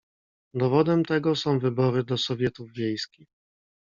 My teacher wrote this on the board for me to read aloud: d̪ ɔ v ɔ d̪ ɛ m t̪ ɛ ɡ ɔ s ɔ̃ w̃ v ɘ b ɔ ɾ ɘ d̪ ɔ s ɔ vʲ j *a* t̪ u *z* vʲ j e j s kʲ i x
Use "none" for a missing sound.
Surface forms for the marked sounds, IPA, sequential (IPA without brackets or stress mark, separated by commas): ɛ, v